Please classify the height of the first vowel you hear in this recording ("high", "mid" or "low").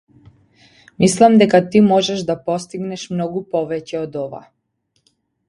high